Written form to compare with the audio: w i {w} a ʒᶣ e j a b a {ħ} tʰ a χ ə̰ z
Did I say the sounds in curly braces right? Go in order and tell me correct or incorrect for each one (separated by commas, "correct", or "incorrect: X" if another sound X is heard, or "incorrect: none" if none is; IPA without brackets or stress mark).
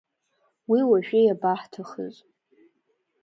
correct, correct